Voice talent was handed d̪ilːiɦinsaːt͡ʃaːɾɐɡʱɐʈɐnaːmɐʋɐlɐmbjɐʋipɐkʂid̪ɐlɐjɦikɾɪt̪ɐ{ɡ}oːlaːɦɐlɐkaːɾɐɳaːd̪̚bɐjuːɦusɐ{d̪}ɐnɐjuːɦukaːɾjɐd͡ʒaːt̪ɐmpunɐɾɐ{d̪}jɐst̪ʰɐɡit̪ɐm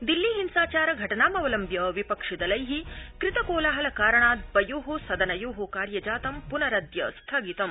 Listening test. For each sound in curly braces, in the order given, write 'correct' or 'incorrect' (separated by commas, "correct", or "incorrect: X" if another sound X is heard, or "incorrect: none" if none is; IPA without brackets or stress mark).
incorrect: k, correct, correct